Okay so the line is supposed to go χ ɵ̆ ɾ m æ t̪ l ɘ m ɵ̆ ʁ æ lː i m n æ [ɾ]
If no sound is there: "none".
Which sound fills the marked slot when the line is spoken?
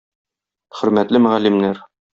ɾ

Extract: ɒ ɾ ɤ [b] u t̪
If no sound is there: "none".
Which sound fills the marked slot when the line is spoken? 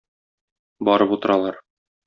p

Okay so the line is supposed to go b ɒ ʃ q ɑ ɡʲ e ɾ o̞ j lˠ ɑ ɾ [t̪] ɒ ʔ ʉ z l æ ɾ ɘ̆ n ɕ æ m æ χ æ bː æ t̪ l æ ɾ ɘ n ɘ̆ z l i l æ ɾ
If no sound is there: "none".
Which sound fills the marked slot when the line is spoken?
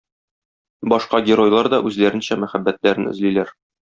d̪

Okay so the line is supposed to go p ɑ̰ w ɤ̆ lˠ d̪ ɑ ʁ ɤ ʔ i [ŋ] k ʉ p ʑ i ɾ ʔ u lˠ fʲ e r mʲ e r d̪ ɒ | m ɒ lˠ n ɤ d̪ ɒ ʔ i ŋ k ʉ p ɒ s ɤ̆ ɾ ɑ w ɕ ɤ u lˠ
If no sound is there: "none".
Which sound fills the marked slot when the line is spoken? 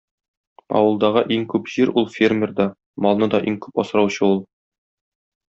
ŋ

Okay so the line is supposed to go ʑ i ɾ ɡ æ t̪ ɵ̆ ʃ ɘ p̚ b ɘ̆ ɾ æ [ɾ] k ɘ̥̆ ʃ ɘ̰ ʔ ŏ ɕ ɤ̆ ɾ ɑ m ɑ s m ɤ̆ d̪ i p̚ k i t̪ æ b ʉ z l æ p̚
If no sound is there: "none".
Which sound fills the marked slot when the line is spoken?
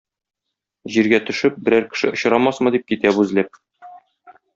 ɾ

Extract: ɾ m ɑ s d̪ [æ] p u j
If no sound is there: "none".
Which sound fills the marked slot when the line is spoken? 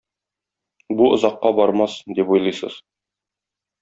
i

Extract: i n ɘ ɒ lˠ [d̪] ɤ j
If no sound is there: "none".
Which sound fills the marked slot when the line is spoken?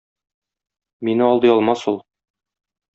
d̪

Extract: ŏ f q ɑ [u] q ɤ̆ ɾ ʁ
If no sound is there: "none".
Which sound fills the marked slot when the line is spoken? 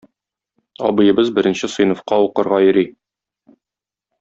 u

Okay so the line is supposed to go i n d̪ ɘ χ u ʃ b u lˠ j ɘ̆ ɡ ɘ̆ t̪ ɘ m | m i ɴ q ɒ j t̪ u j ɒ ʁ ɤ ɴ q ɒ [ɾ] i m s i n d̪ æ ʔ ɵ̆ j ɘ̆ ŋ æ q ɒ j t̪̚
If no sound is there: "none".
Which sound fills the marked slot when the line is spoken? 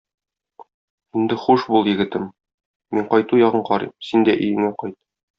ɾ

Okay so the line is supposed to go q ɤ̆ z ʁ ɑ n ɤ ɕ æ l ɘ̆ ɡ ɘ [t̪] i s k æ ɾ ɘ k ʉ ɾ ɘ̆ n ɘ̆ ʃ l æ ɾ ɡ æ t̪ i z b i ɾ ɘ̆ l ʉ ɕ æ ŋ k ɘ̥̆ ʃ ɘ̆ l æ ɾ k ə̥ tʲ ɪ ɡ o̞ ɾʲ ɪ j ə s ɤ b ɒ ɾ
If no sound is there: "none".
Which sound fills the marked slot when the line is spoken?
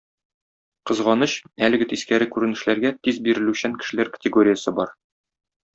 t̪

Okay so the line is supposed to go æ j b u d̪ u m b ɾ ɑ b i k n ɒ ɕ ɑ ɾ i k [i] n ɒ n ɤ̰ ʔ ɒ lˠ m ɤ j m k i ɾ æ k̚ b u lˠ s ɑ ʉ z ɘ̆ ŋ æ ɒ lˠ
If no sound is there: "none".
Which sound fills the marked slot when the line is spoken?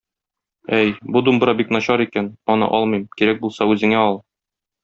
æ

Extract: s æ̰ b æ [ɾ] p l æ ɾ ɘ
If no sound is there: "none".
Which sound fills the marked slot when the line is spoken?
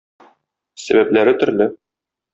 none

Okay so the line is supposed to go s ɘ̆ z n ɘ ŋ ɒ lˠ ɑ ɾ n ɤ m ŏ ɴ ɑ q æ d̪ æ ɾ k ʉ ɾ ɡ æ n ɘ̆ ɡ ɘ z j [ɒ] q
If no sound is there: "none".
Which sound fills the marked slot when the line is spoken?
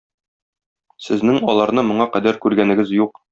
u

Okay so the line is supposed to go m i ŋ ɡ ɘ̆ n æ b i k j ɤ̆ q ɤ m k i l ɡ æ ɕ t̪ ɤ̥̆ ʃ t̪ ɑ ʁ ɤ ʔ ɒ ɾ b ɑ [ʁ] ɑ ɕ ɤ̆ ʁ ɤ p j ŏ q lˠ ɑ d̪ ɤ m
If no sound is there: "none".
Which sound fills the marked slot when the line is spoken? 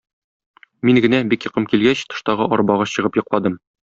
ʁ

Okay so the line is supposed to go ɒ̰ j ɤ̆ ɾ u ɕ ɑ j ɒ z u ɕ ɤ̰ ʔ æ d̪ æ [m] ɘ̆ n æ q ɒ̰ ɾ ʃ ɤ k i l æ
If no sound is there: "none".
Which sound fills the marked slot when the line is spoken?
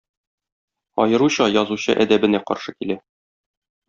b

